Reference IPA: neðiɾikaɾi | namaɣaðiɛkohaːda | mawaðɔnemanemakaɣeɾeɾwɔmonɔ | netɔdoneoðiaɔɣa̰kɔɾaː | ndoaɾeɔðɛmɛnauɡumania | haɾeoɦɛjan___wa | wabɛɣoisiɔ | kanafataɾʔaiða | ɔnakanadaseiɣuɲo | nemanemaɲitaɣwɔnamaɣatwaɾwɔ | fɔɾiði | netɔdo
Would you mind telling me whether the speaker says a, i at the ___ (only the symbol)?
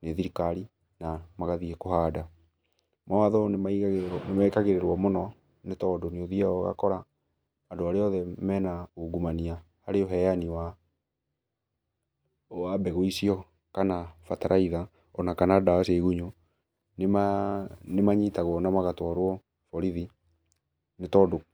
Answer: i